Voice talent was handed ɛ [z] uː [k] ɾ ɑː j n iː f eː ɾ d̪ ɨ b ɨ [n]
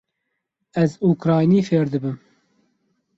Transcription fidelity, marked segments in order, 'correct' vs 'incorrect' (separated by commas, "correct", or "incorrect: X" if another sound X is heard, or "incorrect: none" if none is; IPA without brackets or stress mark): correct, correct, incorrect: m